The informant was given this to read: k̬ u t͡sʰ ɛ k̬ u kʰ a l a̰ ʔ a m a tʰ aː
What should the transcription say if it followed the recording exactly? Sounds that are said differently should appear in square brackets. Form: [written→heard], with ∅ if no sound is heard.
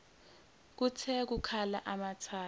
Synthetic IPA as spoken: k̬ u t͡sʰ ɛ k̬ u kʰ a l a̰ ʔ a m a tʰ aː